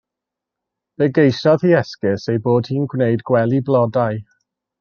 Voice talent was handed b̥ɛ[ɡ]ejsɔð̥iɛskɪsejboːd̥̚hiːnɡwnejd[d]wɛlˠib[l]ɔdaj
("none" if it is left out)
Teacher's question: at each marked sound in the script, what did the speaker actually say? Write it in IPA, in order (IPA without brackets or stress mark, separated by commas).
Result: ɡ, ɡ, l